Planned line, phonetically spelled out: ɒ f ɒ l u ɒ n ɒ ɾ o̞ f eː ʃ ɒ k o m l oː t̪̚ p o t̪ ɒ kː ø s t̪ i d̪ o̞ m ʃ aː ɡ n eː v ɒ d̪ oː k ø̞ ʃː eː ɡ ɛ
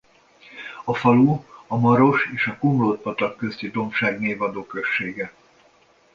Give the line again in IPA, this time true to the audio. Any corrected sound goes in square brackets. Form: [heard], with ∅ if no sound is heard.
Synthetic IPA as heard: ɒ f ɒ l u ɒ [m] ɒ ɾ o̞ [ʃ] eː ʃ ɒ k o m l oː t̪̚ p [ɒ] t̪ ɒ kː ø s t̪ i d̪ o̞ m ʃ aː ɡ n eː v ɒ d̪ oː k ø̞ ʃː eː ɡ ɛ